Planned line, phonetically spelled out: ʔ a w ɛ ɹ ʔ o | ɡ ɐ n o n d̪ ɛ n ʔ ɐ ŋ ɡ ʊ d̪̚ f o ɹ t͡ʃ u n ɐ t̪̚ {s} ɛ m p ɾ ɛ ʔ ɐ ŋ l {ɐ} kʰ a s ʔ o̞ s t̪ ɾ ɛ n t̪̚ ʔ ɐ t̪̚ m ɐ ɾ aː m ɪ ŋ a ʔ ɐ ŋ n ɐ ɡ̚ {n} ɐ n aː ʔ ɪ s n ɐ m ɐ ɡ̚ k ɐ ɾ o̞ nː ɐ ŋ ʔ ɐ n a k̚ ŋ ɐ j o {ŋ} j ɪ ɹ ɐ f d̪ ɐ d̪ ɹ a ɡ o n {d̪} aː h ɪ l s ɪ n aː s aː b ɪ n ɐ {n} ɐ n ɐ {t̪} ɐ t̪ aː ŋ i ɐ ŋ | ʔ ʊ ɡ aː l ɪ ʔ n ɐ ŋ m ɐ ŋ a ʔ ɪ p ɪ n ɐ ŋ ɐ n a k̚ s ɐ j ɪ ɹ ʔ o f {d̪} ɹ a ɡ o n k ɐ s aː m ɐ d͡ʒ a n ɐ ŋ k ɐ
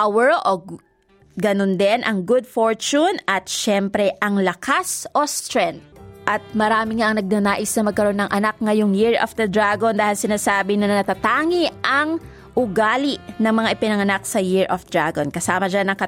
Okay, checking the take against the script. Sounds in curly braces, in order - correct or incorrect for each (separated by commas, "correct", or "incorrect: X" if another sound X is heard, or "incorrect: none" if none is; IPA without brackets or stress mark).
incorrect: ʃ, correct, correct, correct, correct, correct, correct, correct